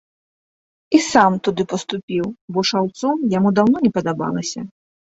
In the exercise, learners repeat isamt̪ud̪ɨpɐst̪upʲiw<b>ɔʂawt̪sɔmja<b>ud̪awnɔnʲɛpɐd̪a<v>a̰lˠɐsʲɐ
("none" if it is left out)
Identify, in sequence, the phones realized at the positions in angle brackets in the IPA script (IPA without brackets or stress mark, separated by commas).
b, m, b